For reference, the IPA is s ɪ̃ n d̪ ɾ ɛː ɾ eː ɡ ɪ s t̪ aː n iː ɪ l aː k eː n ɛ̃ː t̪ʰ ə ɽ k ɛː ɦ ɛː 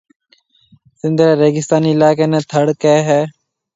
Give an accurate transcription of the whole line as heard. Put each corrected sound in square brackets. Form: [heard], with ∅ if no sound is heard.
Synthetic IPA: s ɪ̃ n d̪ ɾ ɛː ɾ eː ɡ ɪ s t̪ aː n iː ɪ l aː k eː n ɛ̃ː t̪ʰ ə ɽ k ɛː ɦ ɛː